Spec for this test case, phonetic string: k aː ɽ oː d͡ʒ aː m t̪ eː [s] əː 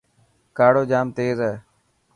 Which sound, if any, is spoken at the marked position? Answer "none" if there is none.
z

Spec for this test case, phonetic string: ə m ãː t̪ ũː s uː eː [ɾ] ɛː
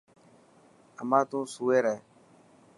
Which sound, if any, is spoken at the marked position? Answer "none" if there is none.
ɾ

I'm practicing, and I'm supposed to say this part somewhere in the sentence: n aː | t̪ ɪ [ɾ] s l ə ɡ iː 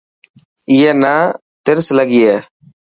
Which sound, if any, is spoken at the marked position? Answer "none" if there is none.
ɾ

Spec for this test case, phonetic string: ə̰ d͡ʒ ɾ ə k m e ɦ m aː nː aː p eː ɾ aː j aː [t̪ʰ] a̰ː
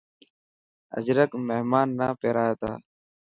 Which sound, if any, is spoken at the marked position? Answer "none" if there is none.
t̪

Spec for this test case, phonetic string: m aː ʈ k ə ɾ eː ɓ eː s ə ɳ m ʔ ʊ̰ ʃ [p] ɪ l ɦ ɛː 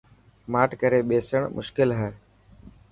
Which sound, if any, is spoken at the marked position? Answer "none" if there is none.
k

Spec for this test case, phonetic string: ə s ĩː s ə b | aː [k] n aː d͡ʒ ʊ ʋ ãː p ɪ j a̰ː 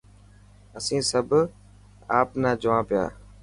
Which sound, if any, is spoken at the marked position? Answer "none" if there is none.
p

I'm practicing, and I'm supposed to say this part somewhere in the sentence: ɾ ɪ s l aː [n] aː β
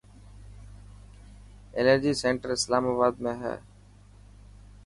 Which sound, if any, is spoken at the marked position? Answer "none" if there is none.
m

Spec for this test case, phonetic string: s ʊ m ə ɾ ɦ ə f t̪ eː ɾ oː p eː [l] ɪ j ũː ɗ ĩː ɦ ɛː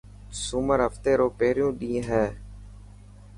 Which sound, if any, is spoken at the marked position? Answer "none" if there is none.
ɾ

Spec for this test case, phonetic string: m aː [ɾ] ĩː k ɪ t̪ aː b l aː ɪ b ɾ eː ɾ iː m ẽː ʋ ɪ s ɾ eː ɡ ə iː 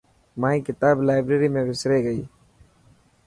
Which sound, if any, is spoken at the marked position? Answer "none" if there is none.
none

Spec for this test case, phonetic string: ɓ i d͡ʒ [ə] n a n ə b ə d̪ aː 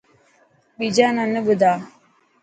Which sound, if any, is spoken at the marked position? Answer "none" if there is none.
a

